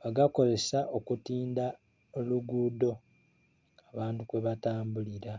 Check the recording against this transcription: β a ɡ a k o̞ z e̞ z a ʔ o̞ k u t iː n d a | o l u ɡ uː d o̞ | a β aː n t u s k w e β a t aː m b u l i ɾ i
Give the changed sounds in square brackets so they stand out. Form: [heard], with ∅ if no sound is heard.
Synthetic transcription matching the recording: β a ɡ a k o̞ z e̞ [s] a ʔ o̞ k u t iː n d a | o l u ɡ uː d o̞ | a β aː n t u [∅] k w e β a t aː m b u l i ɾ [a]